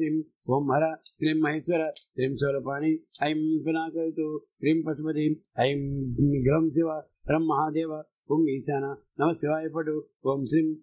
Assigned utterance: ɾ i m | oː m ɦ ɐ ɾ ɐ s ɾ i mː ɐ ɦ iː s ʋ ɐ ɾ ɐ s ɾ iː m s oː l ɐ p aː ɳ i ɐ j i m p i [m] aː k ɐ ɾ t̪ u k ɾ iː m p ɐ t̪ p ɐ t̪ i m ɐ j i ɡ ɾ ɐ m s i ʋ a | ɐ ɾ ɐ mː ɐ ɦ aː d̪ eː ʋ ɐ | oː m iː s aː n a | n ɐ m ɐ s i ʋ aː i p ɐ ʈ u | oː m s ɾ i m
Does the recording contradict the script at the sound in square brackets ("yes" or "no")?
yes